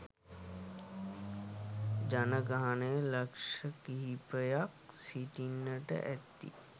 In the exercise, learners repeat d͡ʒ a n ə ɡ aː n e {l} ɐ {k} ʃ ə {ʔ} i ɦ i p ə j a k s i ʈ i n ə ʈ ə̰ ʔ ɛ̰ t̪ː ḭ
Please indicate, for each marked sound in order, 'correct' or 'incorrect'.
correct, correct, incorrect: k

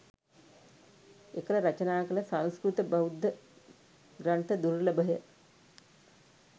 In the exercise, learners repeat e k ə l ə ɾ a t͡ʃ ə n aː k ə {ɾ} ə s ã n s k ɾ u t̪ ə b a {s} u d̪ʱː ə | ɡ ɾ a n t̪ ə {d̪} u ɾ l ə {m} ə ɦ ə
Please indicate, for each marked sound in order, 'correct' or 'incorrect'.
incorrect: l, incorrect: none, correct, incorrect: b

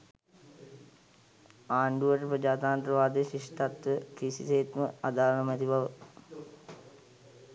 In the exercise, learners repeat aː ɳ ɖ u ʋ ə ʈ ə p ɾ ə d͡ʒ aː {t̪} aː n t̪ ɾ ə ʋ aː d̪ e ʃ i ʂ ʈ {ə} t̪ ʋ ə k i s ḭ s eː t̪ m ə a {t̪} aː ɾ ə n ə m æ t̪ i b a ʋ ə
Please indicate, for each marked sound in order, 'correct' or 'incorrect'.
correct, incorrect: a, incorrect: d̪

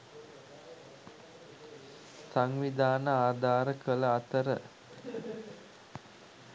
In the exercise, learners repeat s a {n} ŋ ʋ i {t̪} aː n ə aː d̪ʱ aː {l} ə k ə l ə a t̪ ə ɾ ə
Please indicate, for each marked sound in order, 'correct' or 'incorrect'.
incorrect: none, incorrect: d̪, incorrect: ɾ

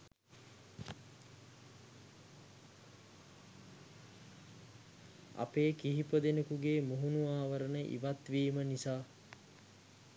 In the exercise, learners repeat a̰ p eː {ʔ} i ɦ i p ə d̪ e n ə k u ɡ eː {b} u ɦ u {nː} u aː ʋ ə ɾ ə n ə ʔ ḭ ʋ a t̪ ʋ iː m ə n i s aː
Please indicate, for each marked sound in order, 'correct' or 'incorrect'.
incorrect: k, incorrect: m, incorrect: n

